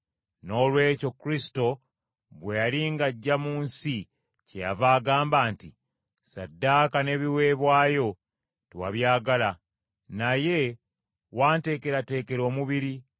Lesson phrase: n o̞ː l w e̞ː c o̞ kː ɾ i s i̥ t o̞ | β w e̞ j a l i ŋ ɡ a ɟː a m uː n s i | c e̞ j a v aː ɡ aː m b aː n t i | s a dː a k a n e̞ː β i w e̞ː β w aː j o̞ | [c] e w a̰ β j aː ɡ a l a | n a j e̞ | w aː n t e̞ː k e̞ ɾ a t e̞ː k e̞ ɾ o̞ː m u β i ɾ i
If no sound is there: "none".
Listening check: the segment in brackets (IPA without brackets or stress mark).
t